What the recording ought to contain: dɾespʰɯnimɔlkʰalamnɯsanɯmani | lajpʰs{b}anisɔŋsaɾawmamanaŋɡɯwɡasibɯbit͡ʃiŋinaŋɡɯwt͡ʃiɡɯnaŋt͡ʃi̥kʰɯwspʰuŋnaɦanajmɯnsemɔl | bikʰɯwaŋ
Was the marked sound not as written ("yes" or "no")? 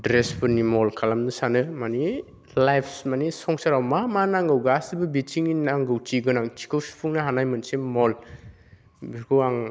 yes